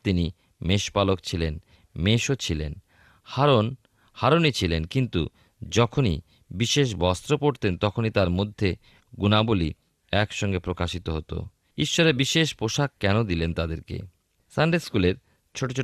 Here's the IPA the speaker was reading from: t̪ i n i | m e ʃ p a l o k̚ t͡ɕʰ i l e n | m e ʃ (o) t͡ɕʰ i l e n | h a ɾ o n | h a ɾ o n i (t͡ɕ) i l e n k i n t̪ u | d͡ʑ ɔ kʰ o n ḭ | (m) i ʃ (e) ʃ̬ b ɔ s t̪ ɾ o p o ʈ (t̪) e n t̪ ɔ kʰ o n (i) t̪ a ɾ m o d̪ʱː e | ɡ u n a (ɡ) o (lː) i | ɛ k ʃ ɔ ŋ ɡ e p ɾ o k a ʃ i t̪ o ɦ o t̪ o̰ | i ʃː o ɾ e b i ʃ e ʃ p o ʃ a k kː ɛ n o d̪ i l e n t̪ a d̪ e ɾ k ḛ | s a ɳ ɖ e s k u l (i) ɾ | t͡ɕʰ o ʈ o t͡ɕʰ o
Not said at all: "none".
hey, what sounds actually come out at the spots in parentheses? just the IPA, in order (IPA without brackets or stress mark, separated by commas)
o, t͡ɕʰ, b, e, t̪, i, b, l, e